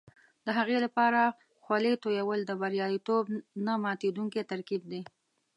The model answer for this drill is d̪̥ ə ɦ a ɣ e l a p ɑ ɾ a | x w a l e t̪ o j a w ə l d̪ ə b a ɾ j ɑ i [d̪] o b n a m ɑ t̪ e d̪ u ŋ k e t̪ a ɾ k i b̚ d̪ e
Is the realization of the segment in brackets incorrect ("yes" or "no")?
yes